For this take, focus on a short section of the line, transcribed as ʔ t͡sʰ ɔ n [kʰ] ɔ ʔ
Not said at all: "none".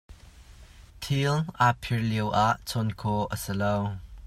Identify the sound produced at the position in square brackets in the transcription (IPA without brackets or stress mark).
kʰ